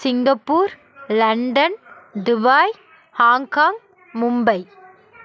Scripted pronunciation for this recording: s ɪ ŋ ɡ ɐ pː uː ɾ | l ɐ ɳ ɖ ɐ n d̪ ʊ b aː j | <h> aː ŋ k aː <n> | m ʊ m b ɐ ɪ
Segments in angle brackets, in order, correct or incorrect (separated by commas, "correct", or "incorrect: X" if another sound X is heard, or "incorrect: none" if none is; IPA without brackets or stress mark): correct, incorrect: ŋ